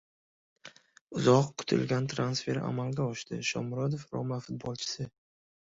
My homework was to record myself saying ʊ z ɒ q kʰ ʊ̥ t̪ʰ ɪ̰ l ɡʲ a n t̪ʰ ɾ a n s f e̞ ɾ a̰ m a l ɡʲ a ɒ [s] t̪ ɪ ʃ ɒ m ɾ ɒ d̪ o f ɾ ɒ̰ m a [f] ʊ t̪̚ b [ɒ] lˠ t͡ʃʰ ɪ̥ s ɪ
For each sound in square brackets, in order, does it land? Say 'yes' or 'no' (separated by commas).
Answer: no, yes, yes